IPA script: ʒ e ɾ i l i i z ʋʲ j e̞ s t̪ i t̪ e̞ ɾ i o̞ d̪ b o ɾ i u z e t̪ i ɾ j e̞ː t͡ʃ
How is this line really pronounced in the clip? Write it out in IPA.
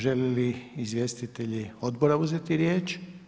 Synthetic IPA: ʒ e l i l i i z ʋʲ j e̞ s t̪ i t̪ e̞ ʎ i o̞ d̪ b o ɾ a u z e t̪ i ɾ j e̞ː t͡ʃ